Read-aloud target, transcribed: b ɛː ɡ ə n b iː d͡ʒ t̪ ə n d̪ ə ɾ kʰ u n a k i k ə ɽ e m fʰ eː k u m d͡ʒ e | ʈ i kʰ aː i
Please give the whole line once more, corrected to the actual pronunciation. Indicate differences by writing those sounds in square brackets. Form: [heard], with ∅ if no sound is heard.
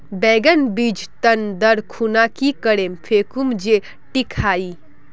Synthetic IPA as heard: b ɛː ɡ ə n b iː d͡ʒ t̪ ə n d̪ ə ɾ kʰ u n a k i k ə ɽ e m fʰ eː k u m d͡ʒ e | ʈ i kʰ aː i